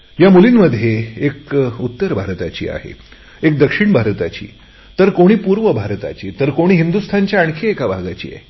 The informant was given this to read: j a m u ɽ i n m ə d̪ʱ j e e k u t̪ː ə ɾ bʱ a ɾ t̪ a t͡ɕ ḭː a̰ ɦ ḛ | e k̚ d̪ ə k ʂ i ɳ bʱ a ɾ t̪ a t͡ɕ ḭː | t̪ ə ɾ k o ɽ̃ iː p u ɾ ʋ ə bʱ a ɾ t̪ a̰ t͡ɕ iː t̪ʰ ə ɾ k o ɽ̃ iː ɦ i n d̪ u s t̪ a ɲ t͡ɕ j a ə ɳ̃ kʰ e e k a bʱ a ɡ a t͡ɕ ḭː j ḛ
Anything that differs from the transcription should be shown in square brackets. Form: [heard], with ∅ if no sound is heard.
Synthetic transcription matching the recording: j a m u [l] i n m ə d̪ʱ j e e k u t̪ː ə ɾ bʱ a ɾ t̪ a t͡ɕ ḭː a̰ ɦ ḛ | e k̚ d̪ ə k ʂ i ɳ bʱ a ɾ t̪ a t͡ɕ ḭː | t̪ ə ɾ k o ɽ̃ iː p u ɾ ʋ ə bʱ a ɾ t̪ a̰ t͡ɕ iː [t̪] ə ɾ k o ɽ̃ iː ɦ i n d̪ u s [t̪ʰ] a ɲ t͡ɕ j a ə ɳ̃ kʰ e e k a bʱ a ɡ a t͡ɕ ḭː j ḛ